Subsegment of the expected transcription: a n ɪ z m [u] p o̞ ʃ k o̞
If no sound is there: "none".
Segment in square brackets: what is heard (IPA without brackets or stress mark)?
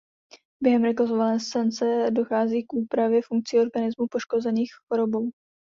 u